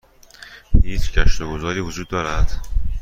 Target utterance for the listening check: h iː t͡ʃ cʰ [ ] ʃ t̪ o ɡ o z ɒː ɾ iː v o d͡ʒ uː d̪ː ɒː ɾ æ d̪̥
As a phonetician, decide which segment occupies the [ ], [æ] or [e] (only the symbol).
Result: æ